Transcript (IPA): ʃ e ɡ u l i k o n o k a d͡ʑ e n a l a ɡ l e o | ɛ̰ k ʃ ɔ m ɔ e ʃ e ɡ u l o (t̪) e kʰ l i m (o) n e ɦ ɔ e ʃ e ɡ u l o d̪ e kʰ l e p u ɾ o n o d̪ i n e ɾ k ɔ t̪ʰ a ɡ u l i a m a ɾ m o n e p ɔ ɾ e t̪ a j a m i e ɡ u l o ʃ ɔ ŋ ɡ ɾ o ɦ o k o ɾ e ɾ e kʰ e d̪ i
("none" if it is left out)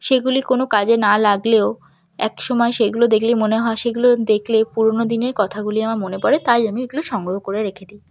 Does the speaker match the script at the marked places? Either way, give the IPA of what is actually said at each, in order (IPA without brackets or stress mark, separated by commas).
d̪, o